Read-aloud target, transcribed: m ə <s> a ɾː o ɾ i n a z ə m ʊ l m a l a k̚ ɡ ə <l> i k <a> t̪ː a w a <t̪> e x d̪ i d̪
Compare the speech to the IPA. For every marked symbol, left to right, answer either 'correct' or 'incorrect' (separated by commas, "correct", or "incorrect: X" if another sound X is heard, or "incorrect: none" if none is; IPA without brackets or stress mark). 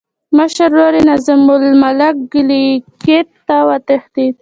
incorrect: ʃ, correct, incorrect: e, correct